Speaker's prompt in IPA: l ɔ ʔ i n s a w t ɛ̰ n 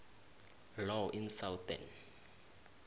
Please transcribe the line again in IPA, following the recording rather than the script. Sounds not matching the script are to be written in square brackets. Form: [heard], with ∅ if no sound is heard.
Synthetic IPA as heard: l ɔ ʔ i n s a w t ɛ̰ n